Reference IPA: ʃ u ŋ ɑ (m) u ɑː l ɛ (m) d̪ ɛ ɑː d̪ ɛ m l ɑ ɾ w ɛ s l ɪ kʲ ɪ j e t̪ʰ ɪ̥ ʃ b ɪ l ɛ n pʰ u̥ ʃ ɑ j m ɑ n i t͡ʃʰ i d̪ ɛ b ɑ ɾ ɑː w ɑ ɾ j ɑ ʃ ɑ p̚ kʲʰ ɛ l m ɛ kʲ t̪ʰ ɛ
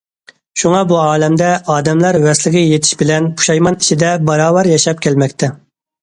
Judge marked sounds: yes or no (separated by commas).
no, yes